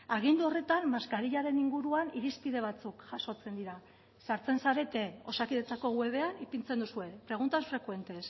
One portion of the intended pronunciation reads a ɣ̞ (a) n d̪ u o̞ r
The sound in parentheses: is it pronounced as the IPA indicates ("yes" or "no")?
no